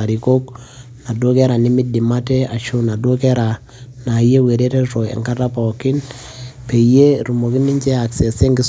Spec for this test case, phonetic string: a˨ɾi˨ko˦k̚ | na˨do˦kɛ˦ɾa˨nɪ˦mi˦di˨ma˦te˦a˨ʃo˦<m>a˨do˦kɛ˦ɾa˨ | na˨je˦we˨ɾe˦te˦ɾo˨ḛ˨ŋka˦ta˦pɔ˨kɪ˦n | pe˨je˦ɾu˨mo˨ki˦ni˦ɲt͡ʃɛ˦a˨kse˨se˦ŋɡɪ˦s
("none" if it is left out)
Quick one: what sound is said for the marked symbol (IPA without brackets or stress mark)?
n